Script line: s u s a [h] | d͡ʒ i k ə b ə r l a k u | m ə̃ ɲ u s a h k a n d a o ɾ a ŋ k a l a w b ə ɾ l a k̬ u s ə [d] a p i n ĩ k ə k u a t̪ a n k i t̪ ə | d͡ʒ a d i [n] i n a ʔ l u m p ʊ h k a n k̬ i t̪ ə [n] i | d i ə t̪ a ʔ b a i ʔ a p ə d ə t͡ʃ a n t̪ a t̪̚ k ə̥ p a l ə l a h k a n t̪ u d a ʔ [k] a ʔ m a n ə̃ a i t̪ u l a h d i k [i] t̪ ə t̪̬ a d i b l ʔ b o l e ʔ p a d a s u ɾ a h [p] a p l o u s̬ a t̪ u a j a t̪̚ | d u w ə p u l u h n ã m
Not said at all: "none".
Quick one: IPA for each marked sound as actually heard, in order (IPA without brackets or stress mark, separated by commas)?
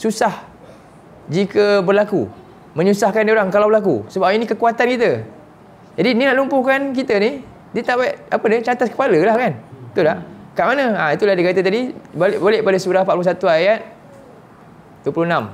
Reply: h, b, n, n, k, a, p